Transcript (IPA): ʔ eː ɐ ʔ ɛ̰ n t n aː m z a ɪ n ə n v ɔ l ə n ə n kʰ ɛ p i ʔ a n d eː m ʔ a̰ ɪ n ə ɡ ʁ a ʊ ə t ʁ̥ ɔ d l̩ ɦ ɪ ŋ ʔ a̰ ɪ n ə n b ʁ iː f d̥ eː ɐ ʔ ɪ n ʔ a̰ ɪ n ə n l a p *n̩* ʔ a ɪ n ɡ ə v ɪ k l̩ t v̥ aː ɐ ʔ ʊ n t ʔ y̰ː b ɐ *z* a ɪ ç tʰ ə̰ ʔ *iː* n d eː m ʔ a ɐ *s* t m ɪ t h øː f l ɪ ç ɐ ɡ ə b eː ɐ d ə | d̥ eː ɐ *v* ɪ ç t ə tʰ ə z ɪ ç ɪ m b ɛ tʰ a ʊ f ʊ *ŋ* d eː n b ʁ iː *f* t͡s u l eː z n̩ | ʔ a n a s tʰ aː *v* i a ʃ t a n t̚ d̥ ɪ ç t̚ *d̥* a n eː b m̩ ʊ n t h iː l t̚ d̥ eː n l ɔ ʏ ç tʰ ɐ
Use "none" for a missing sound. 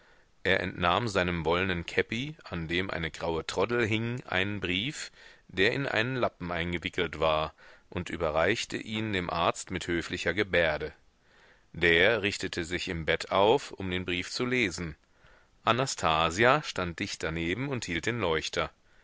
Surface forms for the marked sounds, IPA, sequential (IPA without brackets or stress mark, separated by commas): m̩, ʁ, iː, t͡s, ʁ, m, f, z, d̥